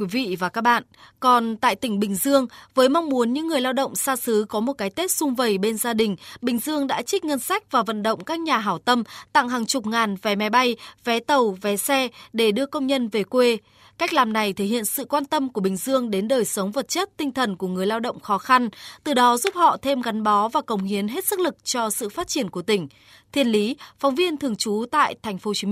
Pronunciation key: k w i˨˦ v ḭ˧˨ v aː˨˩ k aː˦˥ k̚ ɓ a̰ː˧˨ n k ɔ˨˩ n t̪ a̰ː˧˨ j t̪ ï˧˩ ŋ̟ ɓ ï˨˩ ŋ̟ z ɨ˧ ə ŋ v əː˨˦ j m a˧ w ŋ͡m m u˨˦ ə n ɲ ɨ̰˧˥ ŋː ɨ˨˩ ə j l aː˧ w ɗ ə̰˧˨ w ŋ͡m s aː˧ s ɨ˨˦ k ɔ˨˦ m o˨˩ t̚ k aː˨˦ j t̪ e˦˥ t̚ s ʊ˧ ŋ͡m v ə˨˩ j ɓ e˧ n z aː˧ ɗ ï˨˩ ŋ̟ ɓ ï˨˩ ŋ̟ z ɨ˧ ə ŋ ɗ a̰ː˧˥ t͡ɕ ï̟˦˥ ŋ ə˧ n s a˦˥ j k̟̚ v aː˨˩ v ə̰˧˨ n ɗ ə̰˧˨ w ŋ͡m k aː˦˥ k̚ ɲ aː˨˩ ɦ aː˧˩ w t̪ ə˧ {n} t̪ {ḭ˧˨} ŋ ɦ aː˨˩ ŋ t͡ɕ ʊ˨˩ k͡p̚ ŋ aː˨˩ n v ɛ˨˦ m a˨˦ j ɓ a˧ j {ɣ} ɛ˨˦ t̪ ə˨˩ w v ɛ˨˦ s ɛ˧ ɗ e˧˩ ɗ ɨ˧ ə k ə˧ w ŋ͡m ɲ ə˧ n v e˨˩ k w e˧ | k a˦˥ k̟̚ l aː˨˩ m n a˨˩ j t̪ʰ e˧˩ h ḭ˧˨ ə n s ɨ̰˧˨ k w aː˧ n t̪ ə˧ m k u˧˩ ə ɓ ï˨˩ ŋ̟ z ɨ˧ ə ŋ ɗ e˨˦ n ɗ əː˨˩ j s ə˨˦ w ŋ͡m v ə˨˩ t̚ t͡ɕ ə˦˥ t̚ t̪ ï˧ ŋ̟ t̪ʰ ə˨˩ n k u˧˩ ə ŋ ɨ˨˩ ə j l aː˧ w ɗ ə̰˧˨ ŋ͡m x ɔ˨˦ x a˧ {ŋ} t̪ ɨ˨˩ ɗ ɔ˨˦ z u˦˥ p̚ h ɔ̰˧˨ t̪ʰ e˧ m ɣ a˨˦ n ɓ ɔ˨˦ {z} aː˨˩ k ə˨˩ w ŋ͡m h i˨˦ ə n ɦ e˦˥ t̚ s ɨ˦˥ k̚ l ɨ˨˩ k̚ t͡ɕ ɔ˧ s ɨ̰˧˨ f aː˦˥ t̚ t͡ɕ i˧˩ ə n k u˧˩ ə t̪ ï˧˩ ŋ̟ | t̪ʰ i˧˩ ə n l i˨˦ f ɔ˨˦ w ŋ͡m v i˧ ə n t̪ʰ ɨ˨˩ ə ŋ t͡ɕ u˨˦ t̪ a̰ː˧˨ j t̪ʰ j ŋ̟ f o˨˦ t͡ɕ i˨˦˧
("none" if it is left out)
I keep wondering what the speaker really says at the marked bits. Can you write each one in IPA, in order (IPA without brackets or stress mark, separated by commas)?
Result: m, a̰˧˨, v, n, v